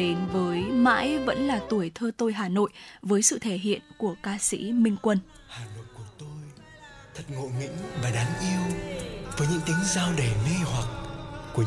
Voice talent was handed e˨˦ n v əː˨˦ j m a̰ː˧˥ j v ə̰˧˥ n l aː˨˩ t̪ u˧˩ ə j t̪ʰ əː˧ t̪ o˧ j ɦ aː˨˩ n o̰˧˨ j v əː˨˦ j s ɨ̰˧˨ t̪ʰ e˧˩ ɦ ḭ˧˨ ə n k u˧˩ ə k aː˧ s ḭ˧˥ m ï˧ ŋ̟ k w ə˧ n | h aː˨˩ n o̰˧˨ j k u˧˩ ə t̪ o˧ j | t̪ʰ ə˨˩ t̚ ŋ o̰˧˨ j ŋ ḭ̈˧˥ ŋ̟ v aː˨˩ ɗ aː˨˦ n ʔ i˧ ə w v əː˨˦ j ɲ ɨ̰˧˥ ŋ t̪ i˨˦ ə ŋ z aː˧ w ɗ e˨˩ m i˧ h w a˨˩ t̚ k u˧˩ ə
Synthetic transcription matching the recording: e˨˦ n v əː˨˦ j m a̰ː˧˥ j v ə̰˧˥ n l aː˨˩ t̪ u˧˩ ə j t̪ʰ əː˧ t̪ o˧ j ɦ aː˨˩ n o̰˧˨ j v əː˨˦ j s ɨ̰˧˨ t̪ʰ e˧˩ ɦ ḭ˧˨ ə n k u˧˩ ə k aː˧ s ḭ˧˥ m ï˧ ŋ̟ k w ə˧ n | h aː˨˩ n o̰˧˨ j k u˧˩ ə t̪ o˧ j | t̪ʰ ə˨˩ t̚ ŋ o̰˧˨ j ŋ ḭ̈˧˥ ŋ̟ v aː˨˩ ɗ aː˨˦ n ʔ i˧ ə w v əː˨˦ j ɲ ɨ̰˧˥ ŋ t̪ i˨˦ ə ŋ z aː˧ w ɗ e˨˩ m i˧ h w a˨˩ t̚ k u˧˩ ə